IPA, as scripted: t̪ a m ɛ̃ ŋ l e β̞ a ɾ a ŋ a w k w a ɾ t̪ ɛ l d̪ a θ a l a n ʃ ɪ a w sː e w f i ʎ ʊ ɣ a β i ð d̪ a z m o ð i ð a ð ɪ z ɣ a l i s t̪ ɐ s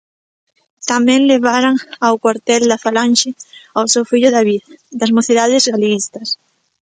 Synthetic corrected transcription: t̪ a m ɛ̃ ŋ l e β̞ a ɾ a ŋ a w k w a ɾ t̪ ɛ l d̪ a f a l a n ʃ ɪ a w s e w f i ʎ ʊ ð a β i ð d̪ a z m o θ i ð a ð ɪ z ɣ a l i s t̪ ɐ s